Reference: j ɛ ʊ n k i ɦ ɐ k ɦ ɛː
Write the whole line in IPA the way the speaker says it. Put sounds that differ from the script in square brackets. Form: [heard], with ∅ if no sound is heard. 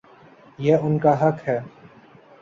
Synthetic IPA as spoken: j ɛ ʊ n k [a] ɦ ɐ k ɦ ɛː